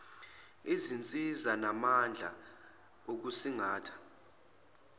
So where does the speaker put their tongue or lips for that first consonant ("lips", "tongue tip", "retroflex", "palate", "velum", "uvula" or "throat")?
tongue tip